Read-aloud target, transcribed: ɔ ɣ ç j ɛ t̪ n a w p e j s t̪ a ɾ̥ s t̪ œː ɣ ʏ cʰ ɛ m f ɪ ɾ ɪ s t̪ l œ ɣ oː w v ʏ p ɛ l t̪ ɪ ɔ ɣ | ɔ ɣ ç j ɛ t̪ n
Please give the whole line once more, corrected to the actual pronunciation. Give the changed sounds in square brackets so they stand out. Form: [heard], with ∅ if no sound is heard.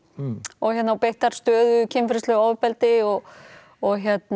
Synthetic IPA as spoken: ɔ ɣ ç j ɛ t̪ n a w p e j [h] t̪ a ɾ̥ s t̪ œː [ð] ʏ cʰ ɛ m f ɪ ɾ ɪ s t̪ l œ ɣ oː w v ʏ p ɛ l t̪ ɪ ɔ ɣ | ɔ ɣ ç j ɛ t̪ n